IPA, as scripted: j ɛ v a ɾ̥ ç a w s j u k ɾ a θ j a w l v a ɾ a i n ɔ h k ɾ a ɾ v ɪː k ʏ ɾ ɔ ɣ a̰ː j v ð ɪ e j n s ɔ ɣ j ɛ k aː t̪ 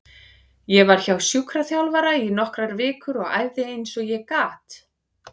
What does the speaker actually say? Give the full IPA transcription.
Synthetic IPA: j ɛ v a ɾ̥ ç a w s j u k ɾ a θ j a w l v a ɾ a i n ɔ h k ɾ a ɾ v ɪː k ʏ ɾ ɔ ɣ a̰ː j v ð ɪ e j n s ɔ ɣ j ɛ k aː t̪